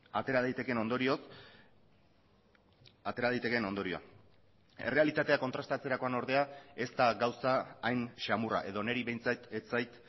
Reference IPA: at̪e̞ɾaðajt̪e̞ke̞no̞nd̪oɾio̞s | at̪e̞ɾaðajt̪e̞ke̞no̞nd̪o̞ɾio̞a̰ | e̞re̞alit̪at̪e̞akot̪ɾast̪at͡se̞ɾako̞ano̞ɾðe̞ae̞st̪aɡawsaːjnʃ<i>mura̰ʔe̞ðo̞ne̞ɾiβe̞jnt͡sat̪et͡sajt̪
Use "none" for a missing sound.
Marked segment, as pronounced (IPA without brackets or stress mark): a